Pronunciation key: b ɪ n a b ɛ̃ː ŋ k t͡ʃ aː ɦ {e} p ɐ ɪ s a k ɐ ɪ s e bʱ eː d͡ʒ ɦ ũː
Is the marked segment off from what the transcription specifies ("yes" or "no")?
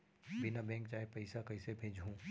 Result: no